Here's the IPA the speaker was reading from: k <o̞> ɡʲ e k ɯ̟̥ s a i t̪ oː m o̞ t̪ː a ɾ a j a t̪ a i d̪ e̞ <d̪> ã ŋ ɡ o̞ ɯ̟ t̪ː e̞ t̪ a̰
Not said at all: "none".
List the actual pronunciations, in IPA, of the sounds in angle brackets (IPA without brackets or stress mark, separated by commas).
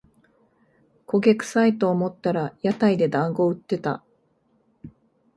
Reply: o̞, d̪